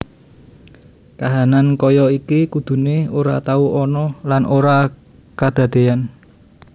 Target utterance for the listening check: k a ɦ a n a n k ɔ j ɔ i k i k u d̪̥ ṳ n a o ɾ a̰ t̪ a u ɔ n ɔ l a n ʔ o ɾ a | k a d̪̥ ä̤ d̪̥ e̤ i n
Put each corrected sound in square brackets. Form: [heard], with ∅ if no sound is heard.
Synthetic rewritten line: k a ɦ a n a n k ɔ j ɔ i k i k u d̪̥ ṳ n [e] o ɾ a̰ t̪ a u ɔ n ɔ l a n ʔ o ɾ a | k a d̪̥ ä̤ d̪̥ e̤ [a] n